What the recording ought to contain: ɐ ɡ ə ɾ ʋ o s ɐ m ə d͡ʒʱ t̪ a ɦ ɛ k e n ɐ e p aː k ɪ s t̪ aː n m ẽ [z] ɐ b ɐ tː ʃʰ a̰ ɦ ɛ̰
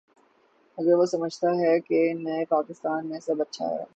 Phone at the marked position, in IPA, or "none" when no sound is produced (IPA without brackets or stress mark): s